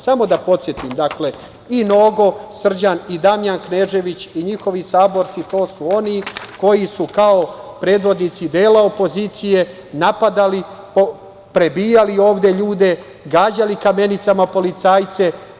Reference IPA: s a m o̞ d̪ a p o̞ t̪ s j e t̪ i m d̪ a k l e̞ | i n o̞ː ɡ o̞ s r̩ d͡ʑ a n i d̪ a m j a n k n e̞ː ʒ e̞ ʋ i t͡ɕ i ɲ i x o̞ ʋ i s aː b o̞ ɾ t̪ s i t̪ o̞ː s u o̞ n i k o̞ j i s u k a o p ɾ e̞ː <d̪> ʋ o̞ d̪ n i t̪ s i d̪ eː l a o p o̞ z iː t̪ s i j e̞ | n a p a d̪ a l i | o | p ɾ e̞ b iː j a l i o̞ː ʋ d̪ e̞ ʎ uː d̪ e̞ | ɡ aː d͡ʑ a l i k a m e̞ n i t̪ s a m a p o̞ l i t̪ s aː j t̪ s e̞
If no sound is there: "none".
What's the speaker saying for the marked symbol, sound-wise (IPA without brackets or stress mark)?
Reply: d̪